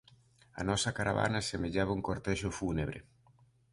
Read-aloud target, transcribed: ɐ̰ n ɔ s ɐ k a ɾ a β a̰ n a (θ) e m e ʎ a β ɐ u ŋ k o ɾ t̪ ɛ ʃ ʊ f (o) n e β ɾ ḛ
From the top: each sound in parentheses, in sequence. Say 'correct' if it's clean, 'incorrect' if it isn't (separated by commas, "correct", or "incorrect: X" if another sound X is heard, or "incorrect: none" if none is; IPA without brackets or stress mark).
incorrect: s, incorrect: u